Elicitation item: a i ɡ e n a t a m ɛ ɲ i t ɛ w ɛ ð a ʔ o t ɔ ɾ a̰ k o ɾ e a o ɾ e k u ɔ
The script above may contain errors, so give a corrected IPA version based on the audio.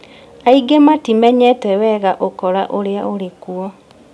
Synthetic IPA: a i ɡ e m a t i m ɛ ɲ ɛ t ɛ w ɛ ɣ a ʔ o k ɔ ɾ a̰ ʔ o ɾ e a o ɾ e k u ɔ